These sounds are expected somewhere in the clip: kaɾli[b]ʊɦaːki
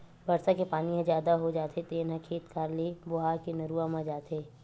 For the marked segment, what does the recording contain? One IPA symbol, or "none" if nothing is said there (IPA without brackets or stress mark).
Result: b